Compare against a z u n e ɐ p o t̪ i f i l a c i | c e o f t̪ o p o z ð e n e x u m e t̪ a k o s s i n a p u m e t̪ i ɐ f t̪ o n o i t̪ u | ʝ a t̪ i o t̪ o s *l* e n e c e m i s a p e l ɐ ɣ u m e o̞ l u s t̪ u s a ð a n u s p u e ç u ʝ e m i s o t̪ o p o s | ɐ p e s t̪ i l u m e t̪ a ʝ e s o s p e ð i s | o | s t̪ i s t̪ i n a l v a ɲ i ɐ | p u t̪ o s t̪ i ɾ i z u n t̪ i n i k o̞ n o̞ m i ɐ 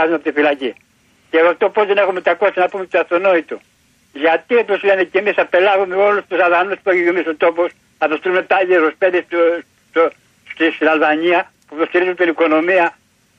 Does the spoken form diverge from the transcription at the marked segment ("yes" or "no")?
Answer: no